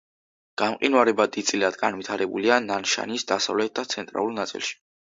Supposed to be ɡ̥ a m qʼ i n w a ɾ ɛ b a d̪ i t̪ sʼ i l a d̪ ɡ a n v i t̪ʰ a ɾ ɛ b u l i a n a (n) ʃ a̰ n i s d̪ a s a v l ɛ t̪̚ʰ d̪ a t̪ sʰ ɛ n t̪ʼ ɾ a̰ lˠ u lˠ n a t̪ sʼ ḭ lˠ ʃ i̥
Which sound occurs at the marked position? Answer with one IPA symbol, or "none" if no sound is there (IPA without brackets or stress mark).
n